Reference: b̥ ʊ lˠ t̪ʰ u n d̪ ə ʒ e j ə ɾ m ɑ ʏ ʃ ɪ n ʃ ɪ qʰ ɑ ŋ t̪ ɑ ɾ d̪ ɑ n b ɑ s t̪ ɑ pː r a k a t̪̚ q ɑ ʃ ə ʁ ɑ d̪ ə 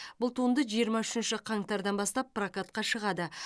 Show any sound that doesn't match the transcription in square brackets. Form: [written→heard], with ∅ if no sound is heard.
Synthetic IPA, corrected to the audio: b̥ ʊ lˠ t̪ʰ u n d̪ ə ʒ [e→i] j ə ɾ m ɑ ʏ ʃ ɪ n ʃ ɪ qʰ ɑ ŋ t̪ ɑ ɾ d̪ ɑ n b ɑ s t̪ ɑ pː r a k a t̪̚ q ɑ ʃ ə ʁ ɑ d̪ ə